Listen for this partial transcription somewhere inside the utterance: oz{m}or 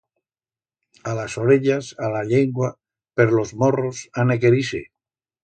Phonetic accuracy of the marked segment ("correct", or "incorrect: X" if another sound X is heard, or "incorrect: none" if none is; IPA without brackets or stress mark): correct